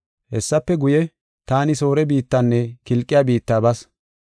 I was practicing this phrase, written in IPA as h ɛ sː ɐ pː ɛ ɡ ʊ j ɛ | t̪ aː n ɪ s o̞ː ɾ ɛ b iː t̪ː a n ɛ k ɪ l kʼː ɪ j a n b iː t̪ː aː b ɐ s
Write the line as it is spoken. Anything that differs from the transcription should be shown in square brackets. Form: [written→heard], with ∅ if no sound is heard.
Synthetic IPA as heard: h ɛ sː ɐ pː ɛ ɡ ʊ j ɛ | t̪ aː n ɪ s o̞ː ɾ ɛ b iː t̪ː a [n→nː] ɛ k ɪ l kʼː ɪ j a [n→∅] b iː t̪ː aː b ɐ s